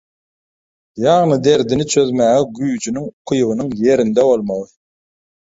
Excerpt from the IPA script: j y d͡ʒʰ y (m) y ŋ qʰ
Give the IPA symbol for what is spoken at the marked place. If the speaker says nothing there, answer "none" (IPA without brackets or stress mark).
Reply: n